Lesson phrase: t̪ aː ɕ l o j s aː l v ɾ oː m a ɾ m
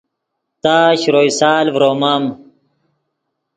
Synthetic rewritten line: t̪ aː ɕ ɾ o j s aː l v ɾ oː m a m